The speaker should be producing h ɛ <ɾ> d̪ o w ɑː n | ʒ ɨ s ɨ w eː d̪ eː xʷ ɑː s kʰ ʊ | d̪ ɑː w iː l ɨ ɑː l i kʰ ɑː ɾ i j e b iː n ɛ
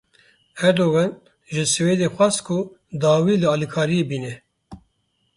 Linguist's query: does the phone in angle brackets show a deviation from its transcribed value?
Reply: no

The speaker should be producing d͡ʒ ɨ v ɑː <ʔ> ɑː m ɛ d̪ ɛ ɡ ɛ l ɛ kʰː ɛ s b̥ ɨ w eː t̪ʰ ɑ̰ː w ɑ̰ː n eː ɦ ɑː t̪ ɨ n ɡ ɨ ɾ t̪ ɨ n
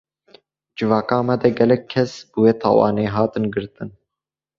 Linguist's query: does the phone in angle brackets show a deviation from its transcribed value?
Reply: yes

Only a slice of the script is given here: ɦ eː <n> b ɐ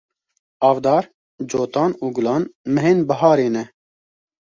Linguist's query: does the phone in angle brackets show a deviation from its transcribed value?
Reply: no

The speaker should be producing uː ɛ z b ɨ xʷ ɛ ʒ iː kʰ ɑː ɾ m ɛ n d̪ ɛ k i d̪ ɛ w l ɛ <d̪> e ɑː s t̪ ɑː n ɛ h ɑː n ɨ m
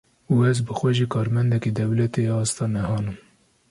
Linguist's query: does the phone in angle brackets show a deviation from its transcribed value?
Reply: yes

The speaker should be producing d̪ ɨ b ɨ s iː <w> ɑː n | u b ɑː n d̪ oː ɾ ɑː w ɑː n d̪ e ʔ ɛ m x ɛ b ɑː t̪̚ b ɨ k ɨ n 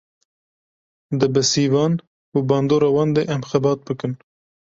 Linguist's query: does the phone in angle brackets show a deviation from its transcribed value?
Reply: yes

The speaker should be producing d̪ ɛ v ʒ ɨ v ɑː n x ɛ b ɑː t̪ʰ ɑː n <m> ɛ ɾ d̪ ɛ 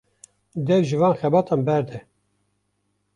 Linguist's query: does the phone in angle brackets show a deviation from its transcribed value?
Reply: yes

